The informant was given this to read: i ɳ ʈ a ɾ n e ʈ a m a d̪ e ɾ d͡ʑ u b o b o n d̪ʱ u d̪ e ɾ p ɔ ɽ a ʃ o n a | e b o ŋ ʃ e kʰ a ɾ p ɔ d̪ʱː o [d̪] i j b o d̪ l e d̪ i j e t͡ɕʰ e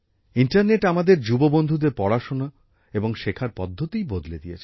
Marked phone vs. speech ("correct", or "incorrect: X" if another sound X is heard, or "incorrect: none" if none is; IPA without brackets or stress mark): incorrect: t̪